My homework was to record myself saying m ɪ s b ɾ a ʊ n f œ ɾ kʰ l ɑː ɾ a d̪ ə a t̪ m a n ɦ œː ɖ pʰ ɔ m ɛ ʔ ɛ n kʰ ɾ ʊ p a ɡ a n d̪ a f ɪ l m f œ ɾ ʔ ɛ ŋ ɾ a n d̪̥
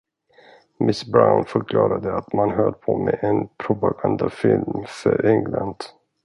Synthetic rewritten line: m ɪ s b ɾ a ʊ n f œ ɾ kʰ l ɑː ɾ a d̪ ə a t̪ m a n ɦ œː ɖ pʰ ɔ m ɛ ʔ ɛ n pʰ ɾ ʊ p a ɡ a n d̪ a f ɪ l m f œ ɾ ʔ ɛ ŋ l a n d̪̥